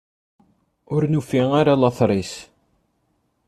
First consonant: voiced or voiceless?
voiced